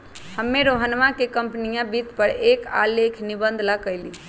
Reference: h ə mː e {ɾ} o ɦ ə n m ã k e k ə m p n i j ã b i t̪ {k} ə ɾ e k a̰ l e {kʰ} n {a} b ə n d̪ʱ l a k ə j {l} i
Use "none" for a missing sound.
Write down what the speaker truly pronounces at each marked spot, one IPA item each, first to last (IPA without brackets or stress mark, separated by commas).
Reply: ɾ, p, kʰ, i, l